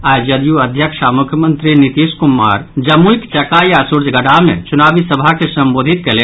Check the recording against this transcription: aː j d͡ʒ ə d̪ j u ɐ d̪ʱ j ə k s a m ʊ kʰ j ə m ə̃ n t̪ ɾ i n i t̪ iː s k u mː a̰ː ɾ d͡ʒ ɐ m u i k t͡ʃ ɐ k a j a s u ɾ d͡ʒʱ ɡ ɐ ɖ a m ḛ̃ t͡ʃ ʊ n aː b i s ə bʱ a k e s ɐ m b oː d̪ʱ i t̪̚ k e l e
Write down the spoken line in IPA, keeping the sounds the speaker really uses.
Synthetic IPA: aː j d͡ʒ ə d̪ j u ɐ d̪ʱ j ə k ʃ a m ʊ kʰ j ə m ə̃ n t̪ ɾ i n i t̪ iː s k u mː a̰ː ɾ d͡ʒ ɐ m u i k t͡ʃ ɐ k a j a s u ɾ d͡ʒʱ ɡ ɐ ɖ a m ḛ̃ t͡ʃ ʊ n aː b i s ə bʱ a k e s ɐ m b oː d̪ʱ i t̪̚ k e l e